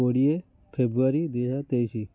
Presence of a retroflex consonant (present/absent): present